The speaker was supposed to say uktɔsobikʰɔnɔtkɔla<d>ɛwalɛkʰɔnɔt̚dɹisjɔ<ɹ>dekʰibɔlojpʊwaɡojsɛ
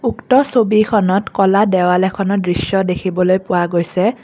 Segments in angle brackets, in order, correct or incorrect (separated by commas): correct, incorrect